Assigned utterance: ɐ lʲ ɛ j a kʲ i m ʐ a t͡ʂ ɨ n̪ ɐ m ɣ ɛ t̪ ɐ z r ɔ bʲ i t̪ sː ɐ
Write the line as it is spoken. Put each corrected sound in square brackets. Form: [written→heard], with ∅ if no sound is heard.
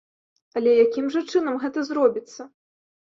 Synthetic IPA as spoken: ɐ lʲ ɛ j a kʲ i m ʐ [a→ɐ] t͡ʂ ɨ n̪ ɐ m ɣ ɛ t̪ ɐ z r ɔ bʲ i t̪ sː ɐ